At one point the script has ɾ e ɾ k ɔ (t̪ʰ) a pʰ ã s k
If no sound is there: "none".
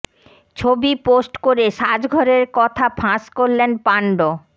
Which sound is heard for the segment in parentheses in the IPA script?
t̪ʰ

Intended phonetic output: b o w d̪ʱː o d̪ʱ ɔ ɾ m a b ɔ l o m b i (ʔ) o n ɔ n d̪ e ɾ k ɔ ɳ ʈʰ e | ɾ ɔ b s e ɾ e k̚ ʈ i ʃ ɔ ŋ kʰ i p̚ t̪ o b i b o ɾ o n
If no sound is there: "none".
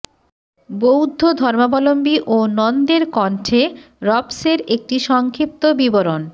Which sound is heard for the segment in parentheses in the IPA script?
ʔ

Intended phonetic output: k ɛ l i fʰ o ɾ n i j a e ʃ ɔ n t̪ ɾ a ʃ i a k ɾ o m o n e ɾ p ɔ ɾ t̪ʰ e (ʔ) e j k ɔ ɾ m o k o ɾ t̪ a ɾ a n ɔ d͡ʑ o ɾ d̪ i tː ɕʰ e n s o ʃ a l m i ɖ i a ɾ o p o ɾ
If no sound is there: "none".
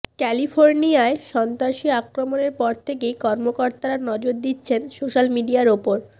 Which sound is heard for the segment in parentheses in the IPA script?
k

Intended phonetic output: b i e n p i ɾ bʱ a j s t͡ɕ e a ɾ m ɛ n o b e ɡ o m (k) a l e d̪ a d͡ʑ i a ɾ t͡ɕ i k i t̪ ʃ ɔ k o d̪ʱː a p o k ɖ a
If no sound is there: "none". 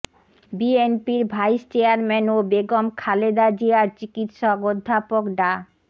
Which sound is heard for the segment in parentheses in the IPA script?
kʰ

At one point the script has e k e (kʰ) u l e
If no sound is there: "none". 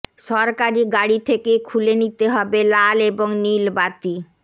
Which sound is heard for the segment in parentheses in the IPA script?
kʰ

